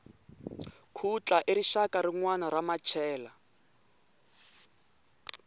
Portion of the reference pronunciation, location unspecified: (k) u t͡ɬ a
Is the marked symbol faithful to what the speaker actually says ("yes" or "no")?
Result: no